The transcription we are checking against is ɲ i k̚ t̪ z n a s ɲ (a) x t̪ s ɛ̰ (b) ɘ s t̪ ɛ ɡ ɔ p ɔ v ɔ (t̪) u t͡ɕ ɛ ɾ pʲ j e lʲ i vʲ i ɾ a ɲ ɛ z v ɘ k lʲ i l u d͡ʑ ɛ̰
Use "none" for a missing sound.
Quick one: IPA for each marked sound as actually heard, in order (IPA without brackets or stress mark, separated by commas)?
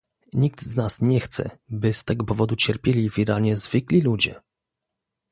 ɛ, b, d̪